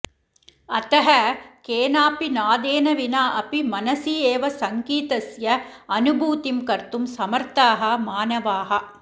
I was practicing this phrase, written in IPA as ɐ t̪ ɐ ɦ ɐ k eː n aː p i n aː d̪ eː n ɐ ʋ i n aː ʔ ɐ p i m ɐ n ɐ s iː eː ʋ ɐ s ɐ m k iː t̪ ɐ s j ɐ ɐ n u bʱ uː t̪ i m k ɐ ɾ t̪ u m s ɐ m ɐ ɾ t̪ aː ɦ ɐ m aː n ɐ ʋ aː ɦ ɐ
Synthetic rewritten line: ɐ t̪ ɐ ɦ ɐ k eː n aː p i n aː d̪ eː n ɐ ʋ i n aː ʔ ɐ p i m ɐ n ɐ s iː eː ʋ ɐ s ɐ ŋ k iː t̪ ɐ s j ɐ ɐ n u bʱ uː t̪ i m k ɐ ɾ t̪ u m s ɐ m ɐ ɾ t̪ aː ɦ ɐ m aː n ɐ ʋ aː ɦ ɐ